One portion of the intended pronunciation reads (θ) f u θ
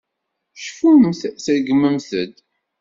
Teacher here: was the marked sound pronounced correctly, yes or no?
no